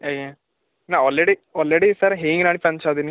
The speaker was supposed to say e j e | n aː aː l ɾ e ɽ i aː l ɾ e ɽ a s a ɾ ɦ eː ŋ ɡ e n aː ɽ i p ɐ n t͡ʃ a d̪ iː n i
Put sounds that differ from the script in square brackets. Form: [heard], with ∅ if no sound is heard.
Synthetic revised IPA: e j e | n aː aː l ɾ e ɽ i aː l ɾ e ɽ [i] s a ɾ ɦ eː ŋ ɡ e n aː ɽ i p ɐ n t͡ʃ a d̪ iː n i